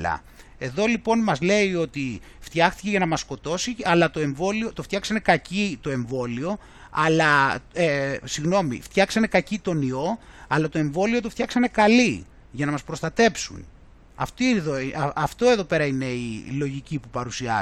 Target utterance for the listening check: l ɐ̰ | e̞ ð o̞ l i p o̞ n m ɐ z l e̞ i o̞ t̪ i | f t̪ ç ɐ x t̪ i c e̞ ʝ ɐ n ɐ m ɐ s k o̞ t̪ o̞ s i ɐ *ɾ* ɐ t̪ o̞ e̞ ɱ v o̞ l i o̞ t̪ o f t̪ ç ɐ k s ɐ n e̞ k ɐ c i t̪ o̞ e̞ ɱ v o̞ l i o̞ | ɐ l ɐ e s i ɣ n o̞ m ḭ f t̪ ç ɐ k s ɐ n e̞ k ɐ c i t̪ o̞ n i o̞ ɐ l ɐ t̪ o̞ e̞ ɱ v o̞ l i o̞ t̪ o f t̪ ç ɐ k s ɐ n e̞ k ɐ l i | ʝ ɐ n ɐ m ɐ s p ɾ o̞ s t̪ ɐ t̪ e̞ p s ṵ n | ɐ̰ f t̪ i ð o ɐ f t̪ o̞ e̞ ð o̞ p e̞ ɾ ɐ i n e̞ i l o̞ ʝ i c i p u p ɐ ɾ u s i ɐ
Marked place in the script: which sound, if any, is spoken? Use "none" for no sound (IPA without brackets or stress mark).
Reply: l